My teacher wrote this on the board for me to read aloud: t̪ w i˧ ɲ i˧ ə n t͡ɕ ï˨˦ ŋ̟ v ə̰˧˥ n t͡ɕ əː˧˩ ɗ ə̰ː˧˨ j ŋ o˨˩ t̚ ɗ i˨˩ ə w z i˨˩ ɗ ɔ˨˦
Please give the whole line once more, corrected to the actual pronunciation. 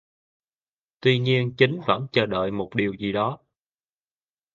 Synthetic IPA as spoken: t̪ w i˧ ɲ i˧ ə n t͡ɕ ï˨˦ ŋ̟ v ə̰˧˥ n t͡ɕ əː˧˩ ɗ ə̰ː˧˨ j m o˨˩ t̚ ɗ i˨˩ ə w z i˨˩ ɗ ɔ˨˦